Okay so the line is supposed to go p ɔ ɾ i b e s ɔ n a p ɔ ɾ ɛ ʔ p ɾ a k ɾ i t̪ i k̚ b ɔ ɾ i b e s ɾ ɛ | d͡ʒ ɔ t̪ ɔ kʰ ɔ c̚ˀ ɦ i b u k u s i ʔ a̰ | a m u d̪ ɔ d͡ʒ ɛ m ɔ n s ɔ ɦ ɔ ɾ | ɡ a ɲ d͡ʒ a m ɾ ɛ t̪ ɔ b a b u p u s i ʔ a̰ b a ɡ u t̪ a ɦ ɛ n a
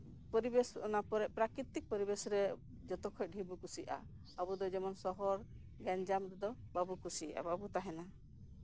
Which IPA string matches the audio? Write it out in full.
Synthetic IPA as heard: p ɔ ɾ i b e s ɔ n a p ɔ ɾ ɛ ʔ p ɾ a k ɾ i t̪ i k̚ p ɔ ɾ i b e s ɾ ɛ | d͡ʒ ɔ t̪ ɔ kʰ ɔ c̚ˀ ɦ i b u k u s i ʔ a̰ | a b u d̪ ɔ d͡ʒ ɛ m ɔ n s ɔ ɦ ɔ ɾ | ɡ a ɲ d͡ʒ a m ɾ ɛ d̪ ɔ b a b u k u s i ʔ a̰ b a b u t̪ a ɦ ɛ n a